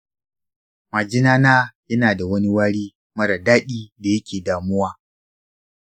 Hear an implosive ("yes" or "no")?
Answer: yes